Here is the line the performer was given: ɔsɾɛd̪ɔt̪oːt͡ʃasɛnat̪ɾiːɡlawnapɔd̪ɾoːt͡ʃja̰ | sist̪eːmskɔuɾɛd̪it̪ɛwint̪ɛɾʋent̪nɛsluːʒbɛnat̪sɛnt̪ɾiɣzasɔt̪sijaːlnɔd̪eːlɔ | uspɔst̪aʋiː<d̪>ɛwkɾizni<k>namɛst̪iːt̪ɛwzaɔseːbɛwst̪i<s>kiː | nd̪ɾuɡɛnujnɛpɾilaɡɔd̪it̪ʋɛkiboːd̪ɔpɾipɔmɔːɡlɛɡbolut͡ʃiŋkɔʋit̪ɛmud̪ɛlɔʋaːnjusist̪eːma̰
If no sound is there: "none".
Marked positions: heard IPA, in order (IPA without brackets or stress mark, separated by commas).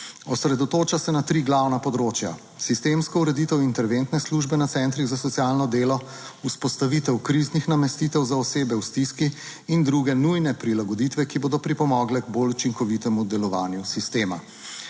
t̪, x, s